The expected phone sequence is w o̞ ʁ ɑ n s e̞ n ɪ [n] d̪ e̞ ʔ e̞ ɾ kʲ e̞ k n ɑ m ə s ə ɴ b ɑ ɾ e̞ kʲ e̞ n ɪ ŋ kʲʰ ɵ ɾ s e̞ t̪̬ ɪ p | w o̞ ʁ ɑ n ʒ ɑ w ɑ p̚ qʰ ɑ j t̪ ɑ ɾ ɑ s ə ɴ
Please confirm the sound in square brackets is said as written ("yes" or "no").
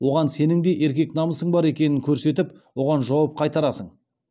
no